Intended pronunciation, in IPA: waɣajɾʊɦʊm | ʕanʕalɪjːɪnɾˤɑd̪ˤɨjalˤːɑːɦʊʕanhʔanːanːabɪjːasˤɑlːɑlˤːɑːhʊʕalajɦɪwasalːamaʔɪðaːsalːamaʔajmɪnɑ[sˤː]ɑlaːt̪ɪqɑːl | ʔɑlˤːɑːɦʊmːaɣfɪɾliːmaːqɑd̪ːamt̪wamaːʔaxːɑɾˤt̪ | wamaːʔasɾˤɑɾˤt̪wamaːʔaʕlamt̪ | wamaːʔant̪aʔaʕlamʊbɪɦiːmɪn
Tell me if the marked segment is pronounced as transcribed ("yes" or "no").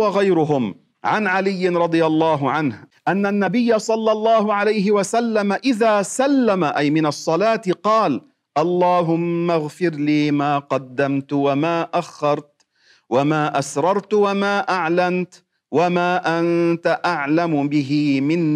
yes